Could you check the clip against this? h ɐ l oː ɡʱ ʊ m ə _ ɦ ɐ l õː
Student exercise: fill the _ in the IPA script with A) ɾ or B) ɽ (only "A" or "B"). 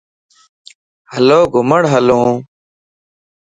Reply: B